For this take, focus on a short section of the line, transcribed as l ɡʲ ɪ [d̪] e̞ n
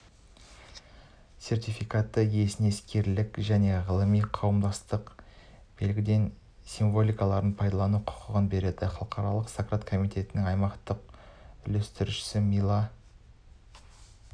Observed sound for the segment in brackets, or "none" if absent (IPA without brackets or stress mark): d̪